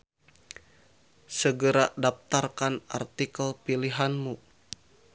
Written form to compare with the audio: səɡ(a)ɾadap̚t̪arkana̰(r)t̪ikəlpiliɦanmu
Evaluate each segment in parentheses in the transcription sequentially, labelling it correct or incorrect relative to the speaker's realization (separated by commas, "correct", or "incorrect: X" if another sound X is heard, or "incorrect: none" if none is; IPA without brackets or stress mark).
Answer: incorrect: ə, correct